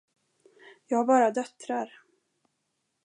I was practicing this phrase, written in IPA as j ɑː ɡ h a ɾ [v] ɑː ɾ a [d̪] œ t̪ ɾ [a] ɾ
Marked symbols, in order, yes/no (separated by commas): no, yes, yes